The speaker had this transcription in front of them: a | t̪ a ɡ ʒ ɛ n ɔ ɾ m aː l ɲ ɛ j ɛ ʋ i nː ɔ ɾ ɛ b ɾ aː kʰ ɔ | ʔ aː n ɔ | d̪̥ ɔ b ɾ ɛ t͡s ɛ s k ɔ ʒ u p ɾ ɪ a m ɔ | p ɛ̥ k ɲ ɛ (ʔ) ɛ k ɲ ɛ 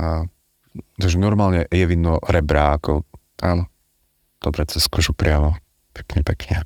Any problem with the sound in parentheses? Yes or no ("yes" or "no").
yes